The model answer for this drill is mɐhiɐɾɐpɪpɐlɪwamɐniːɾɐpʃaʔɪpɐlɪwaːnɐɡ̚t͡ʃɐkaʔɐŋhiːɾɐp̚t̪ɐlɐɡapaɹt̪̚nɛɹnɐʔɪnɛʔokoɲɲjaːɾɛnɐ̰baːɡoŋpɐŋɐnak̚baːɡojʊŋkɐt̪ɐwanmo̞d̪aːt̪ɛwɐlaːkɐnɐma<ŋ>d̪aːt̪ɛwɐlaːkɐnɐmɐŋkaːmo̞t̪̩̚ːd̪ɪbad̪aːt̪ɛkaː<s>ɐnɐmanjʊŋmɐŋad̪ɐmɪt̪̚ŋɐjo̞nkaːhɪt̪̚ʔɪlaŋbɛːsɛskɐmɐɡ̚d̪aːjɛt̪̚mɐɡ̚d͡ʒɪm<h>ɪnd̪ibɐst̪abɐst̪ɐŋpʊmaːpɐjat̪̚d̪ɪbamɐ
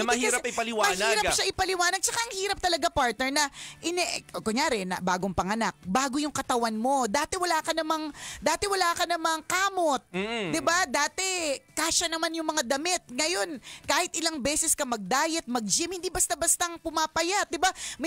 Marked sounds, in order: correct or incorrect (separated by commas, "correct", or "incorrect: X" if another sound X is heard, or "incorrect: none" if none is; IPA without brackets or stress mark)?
correct, incorrect: ʃ, correct